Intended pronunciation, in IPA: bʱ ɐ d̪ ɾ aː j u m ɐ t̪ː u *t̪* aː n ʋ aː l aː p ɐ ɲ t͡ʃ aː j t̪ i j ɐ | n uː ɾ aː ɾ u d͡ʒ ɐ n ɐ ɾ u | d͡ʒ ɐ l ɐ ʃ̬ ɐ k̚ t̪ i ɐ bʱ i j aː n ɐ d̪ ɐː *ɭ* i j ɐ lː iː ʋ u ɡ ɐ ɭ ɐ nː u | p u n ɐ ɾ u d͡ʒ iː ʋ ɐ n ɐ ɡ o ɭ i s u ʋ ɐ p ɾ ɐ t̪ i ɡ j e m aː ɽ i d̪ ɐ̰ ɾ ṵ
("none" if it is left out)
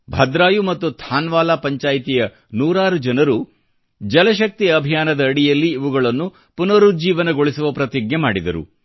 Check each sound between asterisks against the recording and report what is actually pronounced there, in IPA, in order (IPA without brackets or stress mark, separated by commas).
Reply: t̪ʰ, ɽ